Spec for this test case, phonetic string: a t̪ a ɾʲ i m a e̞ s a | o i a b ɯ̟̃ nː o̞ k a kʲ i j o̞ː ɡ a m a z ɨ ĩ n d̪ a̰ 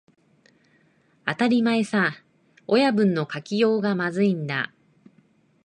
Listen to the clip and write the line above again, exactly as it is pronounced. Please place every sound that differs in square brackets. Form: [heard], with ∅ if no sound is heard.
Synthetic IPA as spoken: a t̪ a ɾʲ i m a e̞ s a | o [j] a b ɯ̟̃ nː o̞ k a kʲ i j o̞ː ɡ a m a z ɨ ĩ n d̪ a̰